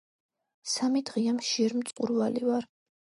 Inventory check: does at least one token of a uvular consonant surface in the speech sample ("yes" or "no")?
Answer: yes